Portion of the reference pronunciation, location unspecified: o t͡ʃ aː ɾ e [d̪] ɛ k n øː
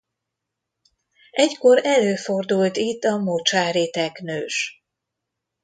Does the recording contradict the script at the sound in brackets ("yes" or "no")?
yes